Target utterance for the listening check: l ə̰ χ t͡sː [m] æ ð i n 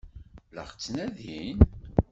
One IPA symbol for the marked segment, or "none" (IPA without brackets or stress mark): n